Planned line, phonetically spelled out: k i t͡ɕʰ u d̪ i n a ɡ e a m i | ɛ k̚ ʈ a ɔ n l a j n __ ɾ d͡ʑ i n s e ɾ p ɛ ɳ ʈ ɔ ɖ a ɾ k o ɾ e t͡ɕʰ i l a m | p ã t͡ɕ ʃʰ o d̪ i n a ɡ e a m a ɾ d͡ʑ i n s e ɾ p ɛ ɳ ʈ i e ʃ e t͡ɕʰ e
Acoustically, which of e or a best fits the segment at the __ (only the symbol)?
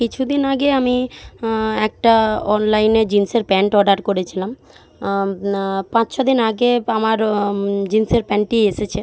e